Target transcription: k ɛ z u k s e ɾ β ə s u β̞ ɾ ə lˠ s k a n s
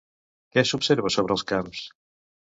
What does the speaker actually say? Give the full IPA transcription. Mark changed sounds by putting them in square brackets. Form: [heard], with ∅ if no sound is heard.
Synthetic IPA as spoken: k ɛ [s] u [p] s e ɾ β ə s [o] β̞ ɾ ə lˠ s k a [m] s